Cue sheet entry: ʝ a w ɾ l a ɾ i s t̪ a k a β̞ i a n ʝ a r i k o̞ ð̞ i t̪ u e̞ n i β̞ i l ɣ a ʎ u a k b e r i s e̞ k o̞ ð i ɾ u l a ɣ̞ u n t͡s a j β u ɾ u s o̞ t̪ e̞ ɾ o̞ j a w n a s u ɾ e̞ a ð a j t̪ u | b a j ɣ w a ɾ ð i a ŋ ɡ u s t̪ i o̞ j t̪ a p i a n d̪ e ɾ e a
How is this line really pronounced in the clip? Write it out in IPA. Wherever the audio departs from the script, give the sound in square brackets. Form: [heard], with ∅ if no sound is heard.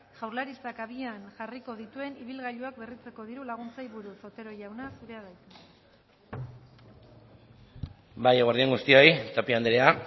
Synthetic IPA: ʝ a w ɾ l a ɾ i s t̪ a k a β̞ i a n ʝ a r i k o̞ ð̞ i t̪ u e̞ n i β̞ i l ɣ a ʎ u a k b e r i [t͡s] e̞ k o̞ ð i ɾ u l a ɣ̞ u n t͡s a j β u ɾ u s o̞ t̪ e̞ ɾ o̞ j a w n a s u ɾ e̞ a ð a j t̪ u | b a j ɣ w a ɾ ð i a ŋ ɡ u s t̪ i o̞ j t̪ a p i a n d̪ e ɾ e a